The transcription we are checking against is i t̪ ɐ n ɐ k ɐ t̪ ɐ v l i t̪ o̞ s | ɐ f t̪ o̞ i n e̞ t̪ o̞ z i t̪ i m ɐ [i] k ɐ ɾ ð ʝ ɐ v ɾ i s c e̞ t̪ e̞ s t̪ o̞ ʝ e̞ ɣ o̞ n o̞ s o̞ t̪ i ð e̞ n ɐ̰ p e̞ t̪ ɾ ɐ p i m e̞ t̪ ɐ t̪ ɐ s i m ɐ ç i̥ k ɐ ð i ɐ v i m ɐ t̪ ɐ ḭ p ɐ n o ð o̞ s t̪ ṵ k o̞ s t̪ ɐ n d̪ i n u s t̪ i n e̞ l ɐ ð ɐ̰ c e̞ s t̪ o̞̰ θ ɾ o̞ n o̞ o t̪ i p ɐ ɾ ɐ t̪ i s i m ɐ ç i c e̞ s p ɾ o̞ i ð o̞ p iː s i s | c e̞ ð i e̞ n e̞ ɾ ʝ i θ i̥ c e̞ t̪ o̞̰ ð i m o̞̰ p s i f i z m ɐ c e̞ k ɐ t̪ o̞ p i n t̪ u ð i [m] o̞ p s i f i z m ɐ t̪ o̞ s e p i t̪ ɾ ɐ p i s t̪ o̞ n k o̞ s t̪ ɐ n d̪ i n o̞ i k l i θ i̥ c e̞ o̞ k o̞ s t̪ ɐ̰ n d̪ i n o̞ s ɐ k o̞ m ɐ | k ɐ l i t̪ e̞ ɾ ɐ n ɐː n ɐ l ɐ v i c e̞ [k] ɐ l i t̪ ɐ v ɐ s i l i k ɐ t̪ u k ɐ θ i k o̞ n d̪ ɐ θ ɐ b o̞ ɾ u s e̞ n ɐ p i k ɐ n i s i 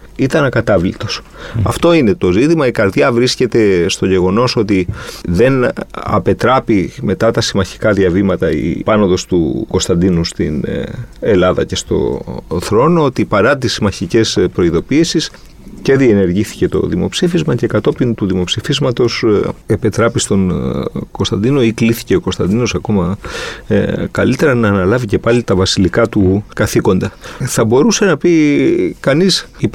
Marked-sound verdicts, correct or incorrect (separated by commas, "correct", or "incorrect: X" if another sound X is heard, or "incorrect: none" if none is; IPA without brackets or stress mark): correct, correct, incorrect: p